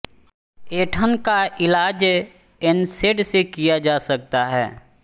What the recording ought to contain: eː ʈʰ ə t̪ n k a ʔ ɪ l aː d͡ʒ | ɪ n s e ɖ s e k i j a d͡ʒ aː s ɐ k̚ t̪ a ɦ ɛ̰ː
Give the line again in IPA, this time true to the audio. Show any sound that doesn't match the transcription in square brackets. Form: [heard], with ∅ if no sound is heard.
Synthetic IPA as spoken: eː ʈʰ ə [∅] n k a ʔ ɪ l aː d͡ʒ | ɪ n s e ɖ s e k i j a d͡ʒ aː s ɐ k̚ t̪ a ɦ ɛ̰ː

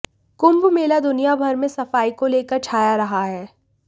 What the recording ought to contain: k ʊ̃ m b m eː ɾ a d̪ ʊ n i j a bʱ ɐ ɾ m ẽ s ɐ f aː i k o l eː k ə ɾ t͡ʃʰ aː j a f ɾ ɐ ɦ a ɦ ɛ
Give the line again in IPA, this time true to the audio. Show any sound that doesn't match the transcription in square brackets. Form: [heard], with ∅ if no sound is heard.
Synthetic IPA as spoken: k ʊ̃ m b m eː [l] a d̪ ʊ n i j a bʱ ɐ ɾ m ẽ s ɐ f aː i k o l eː k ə ɾ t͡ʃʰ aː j a [∅] ɾ ɐ ɦ a ɦ [ɛː]

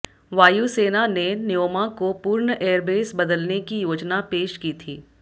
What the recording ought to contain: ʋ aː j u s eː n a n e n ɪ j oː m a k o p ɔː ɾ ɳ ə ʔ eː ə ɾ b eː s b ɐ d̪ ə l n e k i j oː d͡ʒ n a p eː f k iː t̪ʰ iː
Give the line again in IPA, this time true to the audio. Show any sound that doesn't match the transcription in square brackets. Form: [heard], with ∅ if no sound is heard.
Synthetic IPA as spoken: ʋ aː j u s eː n a n e n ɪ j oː m a k o p [uː] ɾ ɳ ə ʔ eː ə ɾ b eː s b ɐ d̪ ə l n e k i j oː d͡ʒ n a p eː [ʃ] k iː t̪ʰ iː

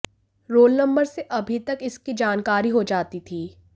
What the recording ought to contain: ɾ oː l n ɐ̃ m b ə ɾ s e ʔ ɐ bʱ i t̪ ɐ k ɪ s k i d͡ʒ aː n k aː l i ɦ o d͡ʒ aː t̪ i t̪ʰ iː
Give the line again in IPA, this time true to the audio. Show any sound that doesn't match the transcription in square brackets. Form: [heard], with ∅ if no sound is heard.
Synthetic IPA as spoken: ɾ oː l n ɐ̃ m b ə ɾ s e ʔ ɐ bʱ i t̪ ɐ k ɪ s k i d͡ʒ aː n k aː [ɾ] i ɦ o d͡ʒ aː t̪ i t̪ʰ iː

